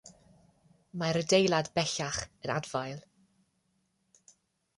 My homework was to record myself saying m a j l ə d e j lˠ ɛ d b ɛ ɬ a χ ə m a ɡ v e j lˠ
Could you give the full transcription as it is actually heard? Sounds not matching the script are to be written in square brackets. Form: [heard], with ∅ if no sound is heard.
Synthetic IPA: m a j [ɾ] ə d e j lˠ [a] d b ɛ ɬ a χ ə [n] a [d] v [a] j lˠ